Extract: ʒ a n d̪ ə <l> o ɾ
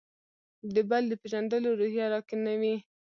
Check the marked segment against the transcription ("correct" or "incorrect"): correct